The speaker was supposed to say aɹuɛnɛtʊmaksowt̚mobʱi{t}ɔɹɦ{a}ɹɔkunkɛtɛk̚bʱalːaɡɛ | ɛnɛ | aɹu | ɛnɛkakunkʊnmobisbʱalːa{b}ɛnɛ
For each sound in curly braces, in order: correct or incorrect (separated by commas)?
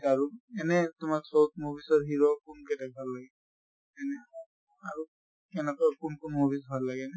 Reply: incorrect, incorrect, incorrect